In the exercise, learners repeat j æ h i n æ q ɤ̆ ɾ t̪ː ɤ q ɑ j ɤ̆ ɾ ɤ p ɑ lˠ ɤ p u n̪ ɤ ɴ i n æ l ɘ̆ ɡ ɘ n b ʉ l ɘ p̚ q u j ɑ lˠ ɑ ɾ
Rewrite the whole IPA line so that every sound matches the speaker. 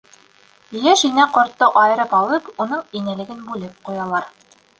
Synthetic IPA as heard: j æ ʃ i n æ q ŏ ɾ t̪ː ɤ ʔ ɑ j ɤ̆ ɾ ɤ p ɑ lˠ ɤ p u n̪ ɤ ɴ i n æ l ɘ̆ ɡ ɘ n b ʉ l ɘ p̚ q u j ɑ lˠ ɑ ɾ